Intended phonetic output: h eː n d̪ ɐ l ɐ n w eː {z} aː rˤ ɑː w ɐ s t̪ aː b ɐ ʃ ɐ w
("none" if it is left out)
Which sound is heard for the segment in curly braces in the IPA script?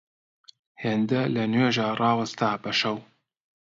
ʒ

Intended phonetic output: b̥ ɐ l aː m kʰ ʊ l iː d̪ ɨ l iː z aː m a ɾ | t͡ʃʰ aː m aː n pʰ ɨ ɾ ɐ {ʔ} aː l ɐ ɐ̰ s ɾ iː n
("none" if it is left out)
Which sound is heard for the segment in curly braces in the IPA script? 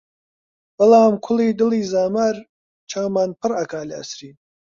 k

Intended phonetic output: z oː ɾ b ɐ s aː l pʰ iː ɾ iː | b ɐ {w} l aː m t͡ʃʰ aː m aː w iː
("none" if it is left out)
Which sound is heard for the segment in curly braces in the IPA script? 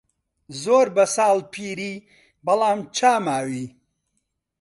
none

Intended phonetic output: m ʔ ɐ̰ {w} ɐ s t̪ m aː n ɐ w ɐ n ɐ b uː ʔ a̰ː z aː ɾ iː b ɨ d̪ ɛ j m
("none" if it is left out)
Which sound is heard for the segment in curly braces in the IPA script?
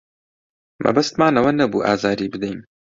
b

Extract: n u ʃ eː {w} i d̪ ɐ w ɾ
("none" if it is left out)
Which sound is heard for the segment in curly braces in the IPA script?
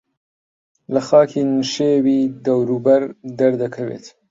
w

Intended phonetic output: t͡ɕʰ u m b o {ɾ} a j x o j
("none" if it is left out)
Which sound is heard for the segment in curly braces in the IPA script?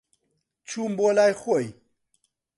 l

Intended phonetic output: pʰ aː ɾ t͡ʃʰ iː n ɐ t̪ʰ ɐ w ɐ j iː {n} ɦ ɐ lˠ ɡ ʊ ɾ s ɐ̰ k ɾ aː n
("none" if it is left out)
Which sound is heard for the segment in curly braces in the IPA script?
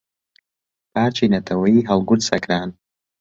none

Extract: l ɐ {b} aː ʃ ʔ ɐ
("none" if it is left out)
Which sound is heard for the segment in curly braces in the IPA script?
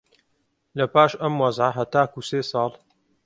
p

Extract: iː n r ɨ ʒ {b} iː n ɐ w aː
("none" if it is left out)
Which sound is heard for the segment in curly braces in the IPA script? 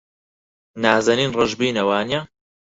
b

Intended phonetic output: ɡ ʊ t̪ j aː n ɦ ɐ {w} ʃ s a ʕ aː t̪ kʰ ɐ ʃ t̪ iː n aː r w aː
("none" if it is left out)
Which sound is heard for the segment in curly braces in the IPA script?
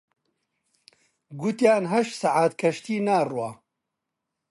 none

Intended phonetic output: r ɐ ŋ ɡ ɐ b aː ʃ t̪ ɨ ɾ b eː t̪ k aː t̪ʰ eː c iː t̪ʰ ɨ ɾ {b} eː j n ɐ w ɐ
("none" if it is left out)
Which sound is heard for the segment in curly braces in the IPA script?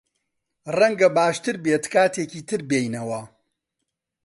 b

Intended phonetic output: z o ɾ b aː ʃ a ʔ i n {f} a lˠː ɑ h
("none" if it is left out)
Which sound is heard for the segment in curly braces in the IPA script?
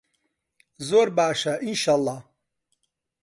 ʃ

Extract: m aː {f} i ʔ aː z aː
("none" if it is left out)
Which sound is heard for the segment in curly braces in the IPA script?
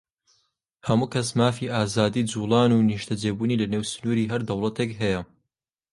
f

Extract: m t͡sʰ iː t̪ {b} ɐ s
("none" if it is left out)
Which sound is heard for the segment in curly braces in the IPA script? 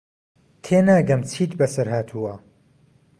b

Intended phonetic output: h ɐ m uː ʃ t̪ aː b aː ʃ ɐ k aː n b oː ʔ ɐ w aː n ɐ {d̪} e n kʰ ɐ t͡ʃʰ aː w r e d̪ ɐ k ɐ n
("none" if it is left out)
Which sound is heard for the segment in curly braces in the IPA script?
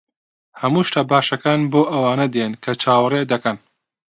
d̪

